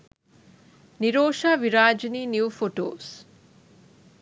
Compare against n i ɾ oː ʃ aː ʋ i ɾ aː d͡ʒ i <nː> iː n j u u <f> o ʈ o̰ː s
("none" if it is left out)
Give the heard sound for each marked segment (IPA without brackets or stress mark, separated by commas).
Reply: n, f